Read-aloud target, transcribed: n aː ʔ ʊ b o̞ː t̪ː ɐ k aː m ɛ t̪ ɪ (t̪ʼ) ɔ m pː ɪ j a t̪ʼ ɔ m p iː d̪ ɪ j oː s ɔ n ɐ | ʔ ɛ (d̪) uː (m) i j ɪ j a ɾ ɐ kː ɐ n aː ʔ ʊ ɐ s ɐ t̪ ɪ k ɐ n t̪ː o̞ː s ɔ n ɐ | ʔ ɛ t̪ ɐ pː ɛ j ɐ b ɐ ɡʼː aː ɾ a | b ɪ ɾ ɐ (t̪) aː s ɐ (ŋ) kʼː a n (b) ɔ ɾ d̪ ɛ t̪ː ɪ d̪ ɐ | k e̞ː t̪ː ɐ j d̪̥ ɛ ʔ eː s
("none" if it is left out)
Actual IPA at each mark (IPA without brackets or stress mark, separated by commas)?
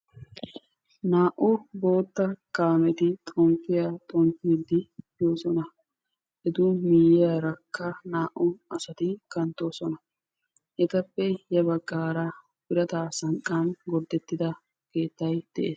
t̪ʼ, d̪, m, t̪, ŋ, ɡ